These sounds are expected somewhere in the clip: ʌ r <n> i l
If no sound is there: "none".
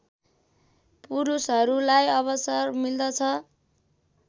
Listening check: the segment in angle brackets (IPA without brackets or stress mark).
m